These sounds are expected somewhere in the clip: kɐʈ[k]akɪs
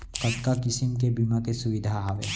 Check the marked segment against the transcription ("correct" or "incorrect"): correct